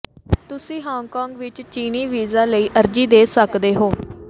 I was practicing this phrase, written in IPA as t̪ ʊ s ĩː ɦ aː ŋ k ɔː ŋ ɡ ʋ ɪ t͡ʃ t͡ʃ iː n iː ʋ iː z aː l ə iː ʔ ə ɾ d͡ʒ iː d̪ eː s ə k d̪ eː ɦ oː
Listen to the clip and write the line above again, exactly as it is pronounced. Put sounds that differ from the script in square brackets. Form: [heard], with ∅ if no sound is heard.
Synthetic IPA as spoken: t̪ ʊ s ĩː ɦ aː ŋ k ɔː ŋ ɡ ʋ ɪ t͡ʃ t͡ʃ iː n iː ʋ iː z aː l ə iː ʔ ə ɾ d͡ʒ iː d̪ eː s ə k d̪ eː ɦ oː